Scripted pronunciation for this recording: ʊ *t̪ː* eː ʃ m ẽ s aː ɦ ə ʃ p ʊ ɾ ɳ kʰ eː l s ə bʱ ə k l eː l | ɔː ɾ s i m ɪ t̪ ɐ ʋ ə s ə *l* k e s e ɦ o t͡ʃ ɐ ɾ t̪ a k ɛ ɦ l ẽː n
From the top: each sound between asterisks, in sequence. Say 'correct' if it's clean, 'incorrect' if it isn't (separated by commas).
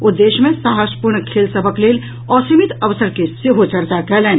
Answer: incorrect, incorrect